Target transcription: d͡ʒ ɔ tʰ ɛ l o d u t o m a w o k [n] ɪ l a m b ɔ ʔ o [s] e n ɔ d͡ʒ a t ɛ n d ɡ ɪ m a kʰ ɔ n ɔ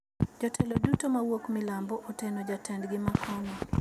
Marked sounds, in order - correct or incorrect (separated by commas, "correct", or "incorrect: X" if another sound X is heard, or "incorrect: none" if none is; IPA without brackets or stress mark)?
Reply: incorrect: m, incorrect: t